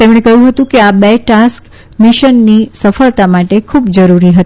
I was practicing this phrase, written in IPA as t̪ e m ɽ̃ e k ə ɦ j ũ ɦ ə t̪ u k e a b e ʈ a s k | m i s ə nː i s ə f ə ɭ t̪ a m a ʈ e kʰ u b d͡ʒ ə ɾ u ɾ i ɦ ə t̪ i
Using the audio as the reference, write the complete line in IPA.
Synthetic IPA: t̪ e m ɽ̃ e k ə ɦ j ũ ɦ ə t̪ ũ k e a b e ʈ a s k | m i ʃ ə nː i s ə f ə ɭ t̪ a m a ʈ e kʰ u b d͡ʒ ə ɾ u ɾ i ɦ ə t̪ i